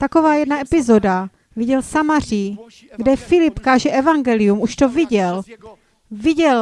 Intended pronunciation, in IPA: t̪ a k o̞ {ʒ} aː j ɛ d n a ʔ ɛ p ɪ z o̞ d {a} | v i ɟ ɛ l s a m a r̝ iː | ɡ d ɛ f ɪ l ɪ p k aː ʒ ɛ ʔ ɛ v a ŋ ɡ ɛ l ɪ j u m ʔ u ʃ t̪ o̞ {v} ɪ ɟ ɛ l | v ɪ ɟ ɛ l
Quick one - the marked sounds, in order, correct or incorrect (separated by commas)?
incorrect, correct, correct